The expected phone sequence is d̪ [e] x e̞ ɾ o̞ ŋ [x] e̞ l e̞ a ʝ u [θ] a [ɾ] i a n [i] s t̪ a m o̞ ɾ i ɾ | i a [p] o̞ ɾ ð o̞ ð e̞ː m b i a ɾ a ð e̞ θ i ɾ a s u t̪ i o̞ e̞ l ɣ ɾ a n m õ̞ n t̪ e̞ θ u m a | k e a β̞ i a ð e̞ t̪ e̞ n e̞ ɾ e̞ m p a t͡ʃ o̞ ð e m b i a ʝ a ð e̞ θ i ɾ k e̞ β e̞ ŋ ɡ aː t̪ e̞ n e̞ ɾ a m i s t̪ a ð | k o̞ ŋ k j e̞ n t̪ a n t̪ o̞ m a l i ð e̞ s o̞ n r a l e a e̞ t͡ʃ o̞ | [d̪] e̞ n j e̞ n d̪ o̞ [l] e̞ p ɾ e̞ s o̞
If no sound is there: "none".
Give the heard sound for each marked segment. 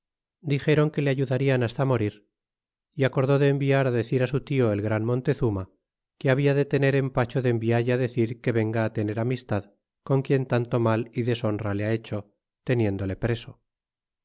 i, k, ð, ɾ, a, k, t̪, l

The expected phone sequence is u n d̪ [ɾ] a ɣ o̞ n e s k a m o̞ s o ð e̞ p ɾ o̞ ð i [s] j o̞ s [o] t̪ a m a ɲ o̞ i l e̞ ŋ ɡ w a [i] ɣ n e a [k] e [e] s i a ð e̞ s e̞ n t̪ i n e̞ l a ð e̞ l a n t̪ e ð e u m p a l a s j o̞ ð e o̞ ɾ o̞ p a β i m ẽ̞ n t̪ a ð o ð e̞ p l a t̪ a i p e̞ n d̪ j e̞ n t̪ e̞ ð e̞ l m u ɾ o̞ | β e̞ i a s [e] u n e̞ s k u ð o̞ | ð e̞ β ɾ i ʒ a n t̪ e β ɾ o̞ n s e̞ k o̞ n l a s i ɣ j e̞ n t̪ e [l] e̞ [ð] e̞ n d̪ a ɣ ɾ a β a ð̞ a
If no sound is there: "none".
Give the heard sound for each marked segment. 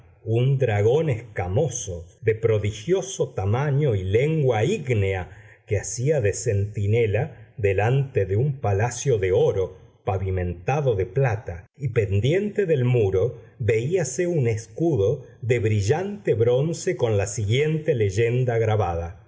ɾ, x, o, i, k, a, e, l, ʒ

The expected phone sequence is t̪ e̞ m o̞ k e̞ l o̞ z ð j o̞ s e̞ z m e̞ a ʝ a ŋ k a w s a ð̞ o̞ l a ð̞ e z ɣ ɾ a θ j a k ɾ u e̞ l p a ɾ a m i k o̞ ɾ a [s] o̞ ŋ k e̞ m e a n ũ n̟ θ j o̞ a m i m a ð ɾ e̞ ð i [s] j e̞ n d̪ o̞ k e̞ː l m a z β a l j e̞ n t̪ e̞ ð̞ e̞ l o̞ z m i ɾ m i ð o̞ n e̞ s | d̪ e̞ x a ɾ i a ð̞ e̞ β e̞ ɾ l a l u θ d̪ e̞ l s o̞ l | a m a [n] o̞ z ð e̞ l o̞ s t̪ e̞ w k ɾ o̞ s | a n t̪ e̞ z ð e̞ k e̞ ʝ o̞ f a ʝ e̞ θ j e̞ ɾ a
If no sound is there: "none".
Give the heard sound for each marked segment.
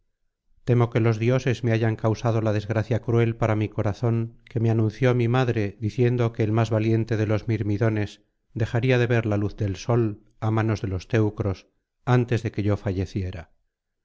θ, θ, n

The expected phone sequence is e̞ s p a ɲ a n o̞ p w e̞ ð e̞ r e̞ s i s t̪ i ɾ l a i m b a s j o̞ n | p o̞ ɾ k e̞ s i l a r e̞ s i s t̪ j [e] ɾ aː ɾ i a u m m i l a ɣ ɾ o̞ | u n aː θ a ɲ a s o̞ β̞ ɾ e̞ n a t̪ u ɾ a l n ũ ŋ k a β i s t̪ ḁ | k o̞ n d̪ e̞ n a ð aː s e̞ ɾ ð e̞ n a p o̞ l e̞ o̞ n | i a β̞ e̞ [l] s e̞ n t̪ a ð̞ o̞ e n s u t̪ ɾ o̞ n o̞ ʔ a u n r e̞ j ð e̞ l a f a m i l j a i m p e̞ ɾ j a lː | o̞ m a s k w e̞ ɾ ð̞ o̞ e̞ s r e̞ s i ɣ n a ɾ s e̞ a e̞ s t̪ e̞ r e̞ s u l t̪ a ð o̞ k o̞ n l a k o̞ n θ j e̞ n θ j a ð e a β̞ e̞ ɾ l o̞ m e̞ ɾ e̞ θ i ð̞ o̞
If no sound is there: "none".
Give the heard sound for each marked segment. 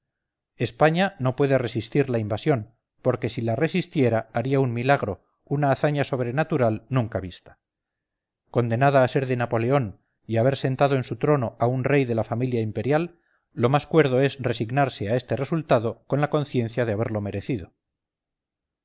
e, ɾ

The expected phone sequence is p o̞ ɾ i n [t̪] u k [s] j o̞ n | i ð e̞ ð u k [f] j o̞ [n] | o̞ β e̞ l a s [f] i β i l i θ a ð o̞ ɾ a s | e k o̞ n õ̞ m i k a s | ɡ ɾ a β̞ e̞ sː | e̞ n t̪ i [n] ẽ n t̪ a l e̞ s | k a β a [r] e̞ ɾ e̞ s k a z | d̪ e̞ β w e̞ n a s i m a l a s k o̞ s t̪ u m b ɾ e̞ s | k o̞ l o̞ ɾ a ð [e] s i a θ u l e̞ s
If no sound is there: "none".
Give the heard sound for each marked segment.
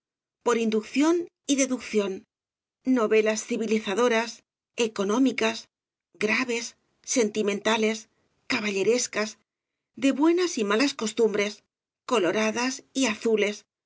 d̪, θ, θ, nː, θ, m, ʎ, a

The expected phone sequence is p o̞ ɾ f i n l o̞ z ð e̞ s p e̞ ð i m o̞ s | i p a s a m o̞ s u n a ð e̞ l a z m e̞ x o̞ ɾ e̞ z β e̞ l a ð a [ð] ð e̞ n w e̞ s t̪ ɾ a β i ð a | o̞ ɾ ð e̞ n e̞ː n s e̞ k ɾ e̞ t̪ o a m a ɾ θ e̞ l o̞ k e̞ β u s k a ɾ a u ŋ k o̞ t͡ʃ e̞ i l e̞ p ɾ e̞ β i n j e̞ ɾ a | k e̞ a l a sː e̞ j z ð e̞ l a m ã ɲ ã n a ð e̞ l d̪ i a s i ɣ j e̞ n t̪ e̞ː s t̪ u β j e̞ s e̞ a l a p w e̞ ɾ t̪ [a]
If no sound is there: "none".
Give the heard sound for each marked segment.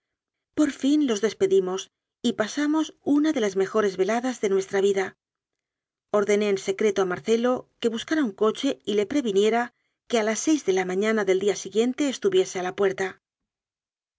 z, a

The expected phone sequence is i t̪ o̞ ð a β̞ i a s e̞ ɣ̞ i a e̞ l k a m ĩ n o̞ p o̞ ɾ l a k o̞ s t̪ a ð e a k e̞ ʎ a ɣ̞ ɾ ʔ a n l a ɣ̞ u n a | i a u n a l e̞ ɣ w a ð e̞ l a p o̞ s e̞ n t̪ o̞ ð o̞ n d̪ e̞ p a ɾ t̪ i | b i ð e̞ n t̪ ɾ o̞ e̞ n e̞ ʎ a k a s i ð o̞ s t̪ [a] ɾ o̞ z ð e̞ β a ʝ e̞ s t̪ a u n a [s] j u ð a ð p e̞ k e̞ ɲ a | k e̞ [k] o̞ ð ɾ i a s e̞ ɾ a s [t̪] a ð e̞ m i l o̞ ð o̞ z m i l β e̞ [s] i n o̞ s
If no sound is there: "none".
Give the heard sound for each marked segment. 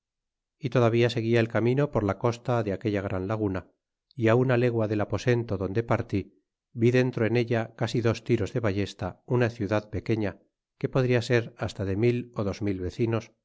i, θ, p, t̪, θ

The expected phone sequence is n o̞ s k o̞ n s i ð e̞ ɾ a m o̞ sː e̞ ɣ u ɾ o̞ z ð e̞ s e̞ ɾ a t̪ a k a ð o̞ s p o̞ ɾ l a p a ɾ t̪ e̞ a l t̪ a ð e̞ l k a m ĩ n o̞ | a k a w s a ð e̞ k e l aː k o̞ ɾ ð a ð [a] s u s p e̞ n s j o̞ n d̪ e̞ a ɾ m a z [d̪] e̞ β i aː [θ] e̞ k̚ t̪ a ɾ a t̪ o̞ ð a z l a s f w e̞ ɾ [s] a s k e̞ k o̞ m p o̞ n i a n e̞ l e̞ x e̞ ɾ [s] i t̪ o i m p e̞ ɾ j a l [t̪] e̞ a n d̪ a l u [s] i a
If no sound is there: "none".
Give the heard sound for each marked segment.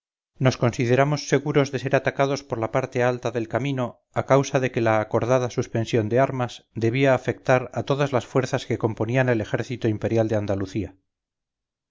a, d̪, f, θ, θ, d̪, θ

